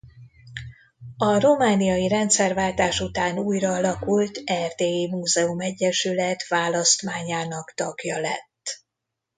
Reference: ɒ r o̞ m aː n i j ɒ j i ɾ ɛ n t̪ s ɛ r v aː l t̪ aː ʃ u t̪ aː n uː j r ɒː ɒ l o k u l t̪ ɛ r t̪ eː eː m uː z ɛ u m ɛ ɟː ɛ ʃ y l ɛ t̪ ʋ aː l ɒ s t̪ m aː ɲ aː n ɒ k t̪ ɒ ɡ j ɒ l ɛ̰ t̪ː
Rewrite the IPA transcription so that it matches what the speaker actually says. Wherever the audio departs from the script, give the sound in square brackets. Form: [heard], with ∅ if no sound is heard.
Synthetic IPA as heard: ɒ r o̞ m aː n i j ɒ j i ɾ ɛ n t̪ s ɛ r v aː l t̪ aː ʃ u t̪ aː n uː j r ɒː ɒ l [ɒ] k u l t̪ ɛ r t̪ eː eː m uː z ɛ u m ɛ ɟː ɛ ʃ y l ɛ t̪ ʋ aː l ɒ s t̪ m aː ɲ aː n ɒ k t̪ ɒ ɡ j ɒ l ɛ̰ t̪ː

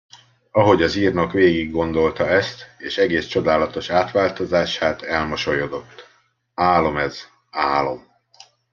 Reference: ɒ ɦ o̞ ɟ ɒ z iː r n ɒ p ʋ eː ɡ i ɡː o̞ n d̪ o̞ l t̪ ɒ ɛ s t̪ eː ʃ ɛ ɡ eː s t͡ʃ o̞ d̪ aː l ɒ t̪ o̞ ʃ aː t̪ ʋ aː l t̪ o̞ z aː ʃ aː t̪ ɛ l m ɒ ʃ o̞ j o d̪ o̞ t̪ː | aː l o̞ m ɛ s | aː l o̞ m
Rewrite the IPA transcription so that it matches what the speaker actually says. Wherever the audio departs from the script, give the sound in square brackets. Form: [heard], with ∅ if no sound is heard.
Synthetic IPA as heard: ɒ ɦ o̞ ɟ ɒ z iː r n ɒ [k] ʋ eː ɡ i ɡː o̞ n d̪ o̞ l t̪ ɒ ɛ s t̪ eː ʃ ɛ ɡ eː s t͡ʃ o̞ d̪ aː l ɒ t̪ o̞ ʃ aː t̪ ʋ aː l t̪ o̞ z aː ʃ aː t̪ ɛ l m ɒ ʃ o̞ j o d̪ o̞ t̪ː | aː l o̞ m ɛ [z] | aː l o̞ m

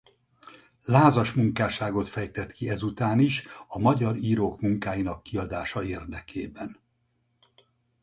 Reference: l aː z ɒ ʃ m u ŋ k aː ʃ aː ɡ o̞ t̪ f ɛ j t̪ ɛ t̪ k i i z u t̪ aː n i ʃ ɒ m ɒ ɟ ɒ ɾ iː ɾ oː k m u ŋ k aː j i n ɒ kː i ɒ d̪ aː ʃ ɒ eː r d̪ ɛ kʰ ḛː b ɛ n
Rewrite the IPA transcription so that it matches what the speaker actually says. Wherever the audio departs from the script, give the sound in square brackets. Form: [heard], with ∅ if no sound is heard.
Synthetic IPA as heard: l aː z ɒ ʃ m u ŋ k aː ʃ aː ɡ o̞ t̪ f ɛ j t̪ ɛ t̪ k i [ɛ] z u t̪ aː n i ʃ ɒ m ɒ ɟ ɒ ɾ iː ɾ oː k m u ŋ k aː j i n ɒ kː i ɒ d̪ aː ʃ ɒ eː r d̪ ɛ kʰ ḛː b ɛ n

